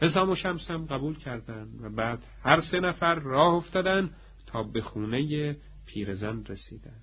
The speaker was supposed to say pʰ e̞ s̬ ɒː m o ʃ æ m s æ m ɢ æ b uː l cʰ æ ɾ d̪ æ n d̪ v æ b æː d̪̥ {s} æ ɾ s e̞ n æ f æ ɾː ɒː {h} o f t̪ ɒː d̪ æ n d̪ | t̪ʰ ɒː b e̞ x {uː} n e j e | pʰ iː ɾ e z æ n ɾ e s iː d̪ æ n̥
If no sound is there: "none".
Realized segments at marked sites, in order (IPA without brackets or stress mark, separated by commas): h, h, uː